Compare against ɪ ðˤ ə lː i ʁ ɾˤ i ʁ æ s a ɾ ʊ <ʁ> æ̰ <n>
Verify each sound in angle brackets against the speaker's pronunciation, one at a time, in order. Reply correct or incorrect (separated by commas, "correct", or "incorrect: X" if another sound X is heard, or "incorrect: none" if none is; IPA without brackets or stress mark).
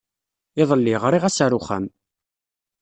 incorrect: χ, incorrect: m